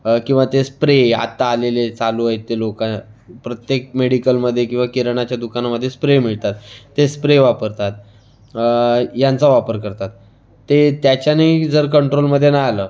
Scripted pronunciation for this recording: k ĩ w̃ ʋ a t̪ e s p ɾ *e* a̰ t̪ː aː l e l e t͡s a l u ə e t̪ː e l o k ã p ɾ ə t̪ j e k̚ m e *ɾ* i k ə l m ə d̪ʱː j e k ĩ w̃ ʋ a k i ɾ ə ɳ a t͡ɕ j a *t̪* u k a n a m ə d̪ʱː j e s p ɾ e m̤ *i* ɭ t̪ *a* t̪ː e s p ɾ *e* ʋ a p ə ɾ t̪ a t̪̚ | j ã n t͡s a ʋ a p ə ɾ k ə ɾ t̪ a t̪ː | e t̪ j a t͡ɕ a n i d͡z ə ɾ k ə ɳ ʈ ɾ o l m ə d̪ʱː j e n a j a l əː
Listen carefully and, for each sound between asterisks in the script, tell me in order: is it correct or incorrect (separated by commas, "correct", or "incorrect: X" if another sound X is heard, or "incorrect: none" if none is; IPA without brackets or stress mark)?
correct, incorrect: ɽ, incorrect: d̪, correct, correct, correct